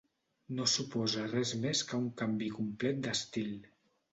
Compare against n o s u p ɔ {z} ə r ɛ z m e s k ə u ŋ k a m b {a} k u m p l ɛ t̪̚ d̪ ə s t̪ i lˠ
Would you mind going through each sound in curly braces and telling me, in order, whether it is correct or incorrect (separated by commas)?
correct, incorrect